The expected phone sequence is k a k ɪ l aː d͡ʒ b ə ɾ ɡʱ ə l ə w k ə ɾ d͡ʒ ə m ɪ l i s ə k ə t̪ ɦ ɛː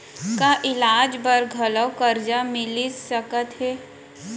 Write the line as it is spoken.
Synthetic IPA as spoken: k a ʔ ɪ l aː d͡ʒ b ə ɾ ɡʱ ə l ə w k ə ɾ d͡ʒ a m ɪ l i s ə k ə t̪ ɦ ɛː